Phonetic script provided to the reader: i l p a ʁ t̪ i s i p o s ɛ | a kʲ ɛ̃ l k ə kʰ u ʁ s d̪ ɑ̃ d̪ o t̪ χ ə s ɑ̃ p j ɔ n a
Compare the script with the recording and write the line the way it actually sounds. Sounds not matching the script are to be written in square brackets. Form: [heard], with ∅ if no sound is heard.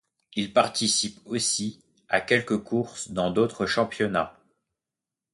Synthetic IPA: i l p a ʁ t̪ i s i p o s [i] | a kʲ [ɛ] l k ə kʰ u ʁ s d̪ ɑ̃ d̪ o t̪ χ ə [ʃ] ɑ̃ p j ɔ n a

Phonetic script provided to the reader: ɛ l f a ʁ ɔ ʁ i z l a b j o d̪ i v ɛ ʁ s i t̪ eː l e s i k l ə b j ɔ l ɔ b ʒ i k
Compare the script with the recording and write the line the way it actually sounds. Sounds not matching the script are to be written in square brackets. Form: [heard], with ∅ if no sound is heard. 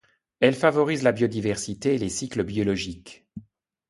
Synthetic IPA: ɛ l f a [v] ɔ ʁ i z l a b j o d̪ i v ɛ ʁ s i t̪ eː l e s i k l ə b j ɔ l ɔ [∅] ʒ i k

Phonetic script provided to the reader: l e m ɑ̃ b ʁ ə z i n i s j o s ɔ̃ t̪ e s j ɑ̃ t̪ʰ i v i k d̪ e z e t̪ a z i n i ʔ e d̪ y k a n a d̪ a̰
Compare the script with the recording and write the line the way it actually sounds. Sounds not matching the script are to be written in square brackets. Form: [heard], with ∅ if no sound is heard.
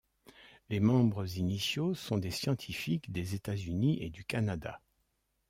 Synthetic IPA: l e m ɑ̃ b ʁ ə z i n i s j o s ɔ̃ [d̪] e s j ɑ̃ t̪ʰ i [f] i k d̪ e z e t̪ a z [y] n i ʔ e d̪ y k a n a d̪ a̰

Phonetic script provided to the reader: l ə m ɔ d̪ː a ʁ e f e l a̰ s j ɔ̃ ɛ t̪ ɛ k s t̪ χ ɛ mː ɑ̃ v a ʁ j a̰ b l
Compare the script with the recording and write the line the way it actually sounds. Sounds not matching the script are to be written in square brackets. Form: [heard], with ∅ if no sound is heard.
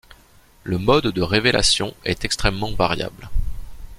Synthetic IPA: l ə m ɔ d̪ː [ə] ʁ e [v] e l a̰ s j ɔ̃ ɛ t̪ ɛ k s t̪ χ ɛ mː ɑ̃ v a ʁ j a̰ b l

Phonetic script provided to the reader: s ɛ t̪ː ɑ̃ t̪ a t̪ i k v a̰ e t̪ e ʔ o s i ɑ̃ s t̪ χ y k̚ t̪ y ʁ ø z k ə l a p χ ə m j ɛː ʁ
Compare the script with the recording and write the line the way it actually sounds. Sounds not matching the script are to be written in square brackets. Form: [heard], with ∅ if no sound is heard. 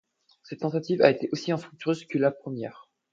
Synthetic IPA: s ɛ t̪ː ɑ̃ t̪ a t̪ i [∅] v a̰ e t̪ e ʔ o s i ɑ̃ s t̪ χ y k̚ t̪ y ʁ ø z k ə l a p χ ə m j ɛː ʁ

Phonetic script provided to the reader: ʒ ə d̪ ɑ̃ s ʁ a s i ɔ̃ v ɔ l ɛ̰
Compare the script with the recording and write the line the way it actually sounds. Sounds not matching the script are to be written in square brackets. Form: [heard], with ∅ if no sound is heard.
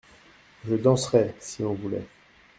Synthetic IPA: ʒ ə d̪ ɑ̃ s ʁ [ɛ] s i ɔ̃ v [u] l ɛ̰

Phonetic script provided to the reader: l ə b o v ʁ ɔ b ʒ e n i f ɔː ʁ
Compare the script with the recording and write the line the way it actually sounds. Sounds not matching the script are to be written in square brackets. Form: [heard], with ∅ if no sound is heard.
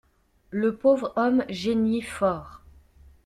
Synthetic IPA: l ə [p] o v ʁ ɔ [m] ʒ e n i f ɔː ʁ

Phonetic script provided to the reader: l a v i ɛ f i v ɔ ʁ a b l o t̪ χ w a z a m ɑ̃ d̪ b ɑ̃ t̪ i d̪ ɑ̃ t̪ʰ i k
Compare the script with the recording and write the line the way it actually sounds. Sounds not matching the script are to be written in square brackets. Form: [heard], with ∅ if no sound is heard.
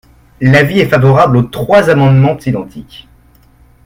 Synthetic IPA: l a v i ɛ f [a] v ɔ ʁ a b l o t̪ χ w a z a m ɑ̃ d̪ [m] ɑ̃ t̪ i d̪ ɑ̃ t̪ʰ i k

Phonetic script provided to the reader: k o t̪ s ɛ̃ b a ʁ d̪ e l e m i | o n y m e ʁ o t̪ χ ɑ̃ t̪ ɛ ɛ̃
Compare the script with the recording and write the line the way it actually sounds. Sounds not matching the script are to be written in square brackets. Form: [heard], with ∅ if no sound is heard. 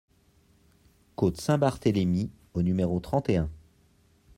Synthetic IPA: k o t̪ s ɛ̃ b a ʁ [t̪] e l e m i | o n y m e ʁ o t̪ χ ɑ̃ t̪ [e] ɛ̃

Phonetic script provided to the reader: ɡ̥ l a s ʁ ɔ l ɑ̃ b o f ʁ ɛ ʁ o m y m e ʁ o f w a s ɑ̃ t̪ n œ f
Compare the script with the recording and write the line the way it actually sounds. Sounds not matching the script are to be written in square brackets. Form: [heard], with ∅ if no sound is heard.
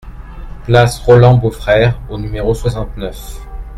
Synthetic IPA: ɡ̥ l a s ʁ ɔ l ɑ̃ b o f [χ] ɛ ʁ o [n] y m e ʁ o [s] w a s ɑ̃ t̪ n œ f

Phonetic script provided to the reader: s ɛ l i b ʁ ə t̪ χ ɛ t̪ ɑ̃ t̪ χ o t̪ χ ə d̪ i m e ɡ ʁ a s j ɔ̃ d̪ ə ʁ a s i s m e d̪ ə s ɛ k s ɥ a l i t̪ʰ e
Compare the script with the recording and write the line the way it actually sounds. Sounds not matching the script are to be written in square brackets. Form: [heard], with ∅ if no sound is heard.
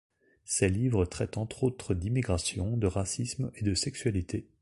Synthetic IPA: s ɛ l i [v] ʁ ə t̪ χ ɛ t̪ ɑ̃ t̪ χ o t̪ χ ə d̪ i m [i] ɡ ʁ a s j ɔ̃ d̪ ə ʁ a s i s m e d̪ ə s ɛ k s ɥ a l i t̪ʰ e

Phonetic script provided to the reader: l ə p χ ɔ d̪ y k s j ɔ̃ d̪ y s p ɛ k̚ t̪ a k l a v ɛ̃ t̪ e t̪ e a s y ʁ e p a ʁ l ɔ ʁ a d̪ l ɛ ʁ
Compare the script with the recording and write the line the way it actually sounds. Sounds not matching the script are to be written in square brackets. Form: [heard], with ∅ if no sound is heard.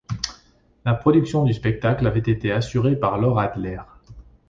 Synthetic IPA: l [a] p χ ɔ d̪ y k s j ɔ̃ d̪ y s p ɛ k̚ t̪ a k l a v [ɛ] t̪ e t̪ e a s y ʁ e p a ʁ l ɔ ʁ a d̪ l ɛ ʁ

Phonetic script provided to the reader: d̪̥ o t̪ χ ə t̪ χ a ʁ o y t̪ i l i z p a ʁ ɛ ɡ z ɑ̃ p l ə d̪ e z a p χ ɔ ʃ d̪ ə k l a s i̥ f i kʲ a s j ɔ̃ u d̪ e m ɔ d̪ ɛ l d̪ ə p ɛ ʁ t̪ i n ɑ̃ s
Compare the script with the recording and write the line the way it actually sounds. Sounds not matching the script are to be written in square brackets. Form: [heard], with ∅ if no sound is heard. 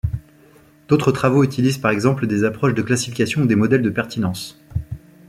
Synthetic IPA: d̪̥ o t̪ χ ə t̪ χ a [v] o y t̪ i l i z p a ʁ ɛ ɡ z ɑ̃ p l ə d̪ e z a p χ ɔ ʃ d̪ ə k l a s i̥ f i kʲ a s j ɔ̃ u d̪ e m ɔ d̪ ɛ l d̪ ə p ɛ ʁ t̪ i n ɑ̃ s

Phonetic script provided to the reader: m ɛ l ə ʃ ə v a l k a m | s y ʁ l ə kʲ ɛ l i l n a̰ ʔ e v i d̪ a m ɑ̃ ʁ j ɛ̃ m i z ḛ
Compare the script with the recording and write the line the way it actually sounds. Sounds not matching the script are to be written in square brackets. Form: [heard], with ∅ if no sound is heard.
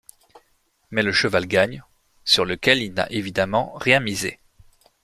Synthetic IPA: m ɛ l ə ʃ ə v a l [ɡ] a [ɲ] | s y ʁ l ə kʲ ɛ l i l n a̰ ʔ e v i d̪ a m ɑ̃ ʁ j ɛ̃ m i z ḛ

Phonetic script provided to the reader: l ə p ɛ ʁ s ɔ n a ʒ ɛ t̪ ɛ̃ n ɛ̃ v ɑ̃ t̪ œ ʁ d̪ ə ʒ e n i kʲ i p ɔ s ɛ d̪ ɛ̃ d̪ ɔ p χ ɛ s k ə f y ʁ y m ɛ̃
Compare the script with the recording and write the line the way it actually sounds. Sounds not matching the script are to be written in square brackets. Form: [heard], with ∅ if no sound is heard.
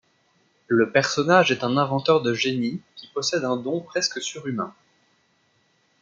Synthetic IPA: l ə p ɛ ʁ s ɔ n a ʒ ɛ t̪ ɛ̃ n ɛ̃ v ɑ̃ t̪ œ ʁ d̪ ə ʒ e n i kʲ i p ɔ s ɛ d̪ ɛ̃ d̪ [ɔ̃] p χ ɛ s k ə [s] y ʁ y m ɛ̃

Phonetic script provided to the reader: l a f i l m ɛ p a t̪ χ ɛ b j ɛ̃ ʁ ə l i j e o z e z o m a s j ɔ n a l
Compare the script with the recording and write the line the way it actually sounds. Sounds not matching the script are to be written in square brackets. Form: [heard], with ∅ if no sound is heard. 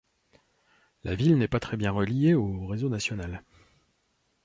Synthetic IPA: l a [v] i l [n] ɛ p a t̪ χ ɛ b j ɛ̃ ʁ ə l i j e o [ʁ] e z o [n] a s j ɔ n a l

